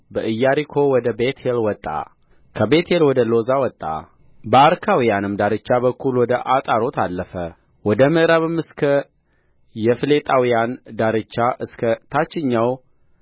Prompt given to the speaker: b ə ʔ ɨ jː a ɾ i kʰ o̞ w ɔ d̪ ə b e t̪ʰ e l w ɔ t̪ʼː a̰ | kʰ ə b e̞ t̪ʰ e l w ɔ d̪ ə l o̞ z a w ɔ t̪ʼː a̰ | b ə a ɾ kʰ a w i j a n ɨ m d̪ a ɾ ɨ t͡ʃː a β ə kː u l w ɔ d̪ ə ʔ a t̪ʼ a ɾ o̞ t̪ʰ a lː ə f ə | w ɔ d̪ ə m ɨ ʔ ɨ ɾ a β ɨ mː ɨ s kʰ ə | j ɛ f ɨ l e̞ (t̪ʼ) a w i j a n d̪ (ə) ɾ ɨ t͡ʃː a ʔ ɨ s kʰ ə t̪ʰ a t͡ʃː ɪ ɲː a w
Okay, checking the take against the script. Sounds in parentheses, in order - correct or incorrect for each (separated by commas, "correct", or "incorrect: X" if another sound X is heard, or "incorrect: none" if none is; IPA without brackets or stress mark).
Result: correct, incorrect: a